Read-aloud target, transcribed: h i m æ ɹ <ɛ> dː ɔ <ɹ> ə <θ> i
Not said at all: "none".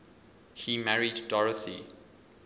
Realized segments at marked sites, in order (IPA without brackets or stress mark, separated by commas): i, ɹ, θ